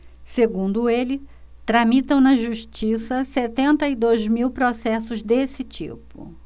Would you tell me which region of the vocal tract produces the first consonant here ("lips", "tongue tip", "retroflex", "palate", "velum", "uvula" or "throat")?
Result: tongue tip